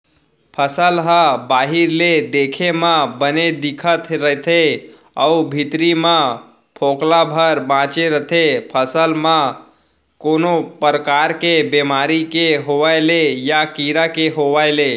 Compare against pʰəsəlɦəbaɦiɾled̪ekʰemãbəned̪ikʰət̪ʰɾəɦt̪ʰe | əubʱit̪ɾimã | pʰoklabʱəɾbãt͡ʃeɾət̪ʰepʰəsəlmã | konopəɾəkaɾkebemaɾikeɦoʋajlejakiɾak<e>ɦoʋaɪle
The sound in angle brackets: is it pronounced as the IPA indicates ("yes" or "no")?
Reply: yes